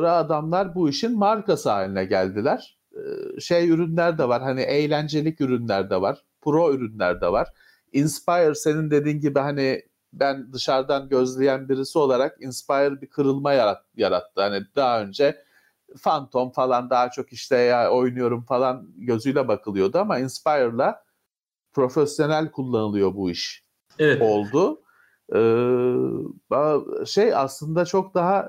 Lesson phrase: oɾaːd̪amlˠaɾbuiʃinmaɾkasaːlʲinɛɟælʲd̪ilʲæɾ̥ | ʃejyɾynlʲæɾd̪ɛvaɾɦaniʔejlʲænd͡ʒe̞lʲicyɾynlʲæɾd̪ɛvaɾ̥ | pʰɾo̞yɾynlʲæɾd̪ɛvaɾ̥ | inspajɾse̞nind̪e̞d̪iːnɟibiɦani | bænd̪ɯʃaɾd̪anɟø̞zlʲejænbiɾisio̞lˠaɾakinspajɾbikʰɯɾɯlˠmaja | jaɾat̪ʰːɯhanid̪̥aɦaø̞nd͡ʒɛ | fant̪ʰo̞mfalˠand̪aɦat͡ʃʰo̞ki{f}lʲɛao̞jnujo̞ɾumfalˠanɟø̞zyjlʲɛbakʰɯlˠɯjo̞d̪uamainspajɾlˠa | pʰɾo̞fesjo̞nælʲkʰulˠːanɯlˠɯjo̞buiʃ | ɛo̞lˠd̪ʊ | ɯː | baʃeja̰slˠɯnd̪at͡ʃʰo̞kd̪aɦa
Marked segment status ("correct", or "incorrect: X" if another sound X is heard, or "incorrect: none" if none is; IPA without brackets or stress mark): incorrect: ʃ